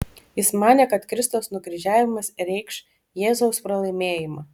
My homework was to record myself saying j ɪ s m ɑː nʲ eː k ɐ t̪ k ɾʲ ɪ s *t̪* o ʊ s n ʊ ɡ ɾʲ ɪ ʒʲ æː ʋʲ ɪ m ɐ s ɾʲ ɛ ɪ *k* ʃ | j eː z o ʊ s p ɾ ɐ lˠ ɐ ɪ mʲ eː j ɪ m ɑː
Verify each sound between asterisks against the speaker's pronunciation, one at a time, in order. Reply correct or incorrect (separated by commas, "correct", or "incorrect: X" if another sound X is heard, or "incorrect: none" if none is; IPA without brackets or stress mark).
correct, correct